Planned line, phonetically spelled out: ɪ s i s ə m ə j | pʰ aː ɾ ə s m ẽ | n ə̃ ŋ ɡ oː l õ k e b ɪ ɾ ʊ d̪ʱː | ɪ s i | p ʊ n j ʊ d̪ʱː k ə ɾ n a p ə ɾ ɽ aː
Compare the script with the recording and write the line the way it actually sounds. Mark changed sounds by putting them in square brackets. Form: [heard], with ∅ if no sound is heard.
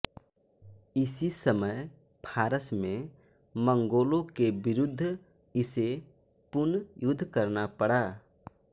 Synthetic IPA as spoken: ɪ s i s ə m ə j | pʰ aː ɾ ə s m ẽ | [m] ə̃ ŋ ɡ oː l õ k e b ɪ ɾ ʊ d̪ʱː | ɪ s [e] | p ʊ n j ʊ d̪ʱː k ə ɾ n a p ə [∅] ɽ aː